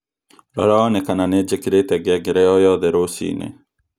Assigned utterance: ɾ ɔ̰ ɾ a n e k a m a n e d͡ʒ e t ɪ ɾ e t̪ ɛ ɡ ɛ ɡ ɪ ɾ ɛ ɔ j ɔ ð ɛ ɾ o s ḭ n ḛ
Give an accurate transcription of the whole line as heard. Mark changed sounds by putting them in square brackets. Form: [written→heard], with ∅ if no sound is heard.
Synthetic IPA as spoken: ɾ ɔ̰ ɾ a n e k a [m→n] a n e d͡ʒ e [t→k] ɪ ɾ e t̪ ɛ ɡ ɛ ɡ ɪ ɾ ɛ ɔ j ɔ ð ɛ ɾ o s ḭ n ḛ